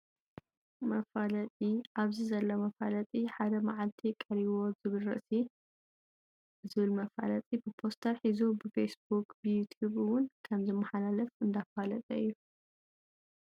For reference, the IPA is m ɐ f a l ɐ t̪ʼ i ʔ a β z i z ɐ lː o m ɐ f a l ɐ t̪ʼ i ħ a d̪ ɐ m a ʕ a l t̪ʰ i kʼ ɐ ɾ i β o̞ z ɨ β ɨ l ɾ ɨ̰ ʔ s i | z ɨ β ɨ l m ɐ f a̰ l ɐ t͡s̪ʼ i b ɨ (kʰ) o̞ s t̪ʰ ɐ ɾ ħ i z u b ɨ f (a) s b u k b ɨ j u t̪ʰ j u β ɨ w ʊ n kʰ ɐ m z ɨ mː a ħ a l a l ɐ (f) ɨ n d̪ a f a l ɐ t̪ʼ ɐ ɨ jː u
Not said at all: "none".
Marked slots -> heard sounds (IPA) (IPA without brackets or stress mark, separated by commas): pʰ, e, f